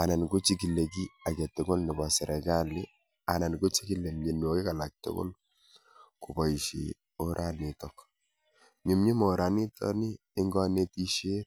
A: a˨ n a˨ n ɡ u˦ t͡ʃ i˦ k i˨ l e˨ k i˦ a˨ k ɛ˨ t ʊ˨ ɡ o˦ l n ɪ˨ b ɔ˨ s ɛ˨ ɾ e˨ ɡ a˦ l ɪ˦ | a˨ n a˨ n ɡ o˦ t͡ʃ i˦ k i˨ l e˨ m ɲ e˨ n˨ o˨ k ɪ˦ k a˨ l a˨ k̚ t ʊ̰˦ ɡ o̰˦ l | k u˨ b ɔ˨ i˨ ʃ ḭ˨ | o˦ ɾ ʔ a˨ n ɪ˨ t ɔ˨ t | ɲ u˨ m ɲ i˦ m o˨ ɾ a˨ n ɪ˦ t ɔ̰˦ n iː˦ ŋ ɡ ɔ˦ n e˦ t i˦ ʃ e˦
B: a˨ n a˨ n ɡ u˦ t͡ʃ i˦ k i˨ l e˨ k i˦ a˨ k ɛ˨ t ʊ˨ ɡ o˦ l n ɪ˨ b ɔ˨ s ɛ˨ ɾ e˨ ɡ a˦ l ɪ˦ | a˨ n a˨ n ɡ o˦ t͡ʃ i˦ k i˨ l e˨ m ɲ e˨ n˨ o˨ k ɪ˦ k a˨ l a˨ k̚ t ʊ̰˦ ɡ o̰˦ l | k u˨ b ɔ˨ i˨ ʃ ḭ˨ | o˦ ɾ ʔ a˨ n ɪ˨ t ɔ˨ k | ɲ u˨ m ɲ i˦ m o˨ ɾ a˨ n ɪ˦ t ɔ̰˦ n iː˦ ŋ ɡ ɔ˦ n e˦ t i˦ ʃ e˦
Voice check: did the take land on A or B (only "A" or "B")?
B